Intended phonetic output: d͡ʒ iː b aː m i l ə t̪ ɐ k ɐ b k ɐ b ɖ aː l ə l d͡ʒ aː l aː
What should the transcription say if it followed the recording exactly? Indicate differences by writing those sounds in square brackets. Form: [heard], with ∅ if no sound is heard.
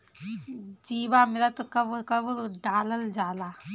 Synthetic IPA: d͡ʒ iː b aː m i l [a] t̪ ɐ k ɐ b k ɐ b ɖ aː l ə l d͡ʒ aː l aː